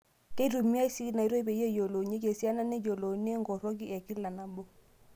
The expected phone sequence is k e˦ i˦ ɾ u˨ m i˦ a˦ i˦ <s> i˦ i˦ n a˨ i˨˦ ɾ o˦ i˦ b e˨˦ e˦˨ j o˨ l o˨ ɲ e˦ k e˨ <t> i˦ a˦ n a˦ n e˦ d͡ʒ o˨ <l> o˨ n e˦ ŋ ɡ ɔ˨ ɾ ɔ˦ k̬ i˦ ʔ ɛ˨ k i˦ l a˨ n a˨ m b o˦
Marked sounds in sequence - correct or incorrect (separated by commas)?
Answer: correct, incorrect, correct